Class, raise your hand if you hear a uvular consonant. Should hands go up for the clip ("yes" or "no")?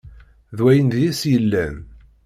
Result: no